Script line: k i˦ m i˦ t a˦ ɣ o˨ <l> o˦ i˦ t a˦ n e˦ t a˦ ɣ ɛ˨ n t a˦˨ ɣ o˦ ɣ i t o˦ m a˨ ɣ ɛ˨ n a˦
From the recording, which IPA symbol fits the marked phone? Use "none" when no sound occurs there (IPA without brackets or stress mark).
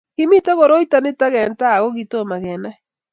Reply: ɾ